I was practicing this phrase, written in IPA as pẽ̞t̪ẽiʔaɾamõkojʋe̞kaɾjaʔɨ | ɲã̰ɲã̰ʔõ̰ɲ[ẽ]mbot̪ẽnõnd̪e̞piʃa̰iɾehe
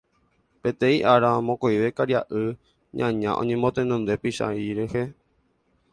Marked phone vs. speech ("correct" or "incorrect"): correct